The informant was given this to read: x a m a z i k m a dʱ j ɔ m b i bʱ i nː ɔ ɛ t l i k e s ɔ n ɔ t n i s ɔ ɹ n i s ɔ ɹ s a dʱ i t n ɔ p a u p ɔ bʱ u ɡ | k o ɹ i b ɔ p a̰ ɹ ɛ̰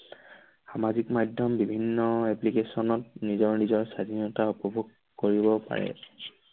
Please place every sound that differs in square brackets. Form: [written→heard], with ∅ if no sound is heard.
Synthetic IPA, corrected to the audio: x a m a z i k m a dʱ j ɔ m b i bʱ i nː ɔ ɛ [t→p] l i k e s ɔ n ɔ t n i [s→z] ɔ ɹ n i [s→z] ɔ ɹ s a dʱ i [t→∅] n ɔ [p→t] a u p ɔ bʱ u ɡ | k o ɹ i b ɔ p a̰ ɹ ɛ̰

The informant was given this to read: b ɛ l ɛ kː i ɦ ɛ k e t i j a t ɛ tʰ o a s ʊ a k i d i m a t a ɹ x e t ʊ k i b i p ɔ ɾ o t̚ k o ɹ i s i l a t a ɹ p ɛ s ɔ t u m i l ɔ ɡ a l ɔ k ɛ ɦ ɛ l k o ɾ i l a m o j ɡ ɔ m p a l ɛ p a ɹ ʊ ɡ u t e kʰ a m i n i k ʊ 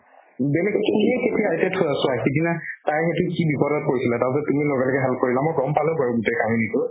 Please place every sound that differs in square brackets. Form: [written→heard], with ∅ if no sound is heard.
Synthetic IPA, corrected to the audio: b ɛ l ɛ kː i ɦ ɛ k e t i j a t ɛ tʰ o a s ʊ a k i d i [m→n] a t a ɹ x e t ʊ k i b i p ɔ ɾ [o→ɔ] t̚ k o ɹ i s i l a t a ɹ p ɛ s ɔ t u m i l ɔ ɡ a l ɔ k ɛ ɦ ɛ l k o [ɾ→ɹ] i l a m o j ɡ ɔ m p a l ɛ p a ɹ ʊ ɡ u t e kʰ a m i n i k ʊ

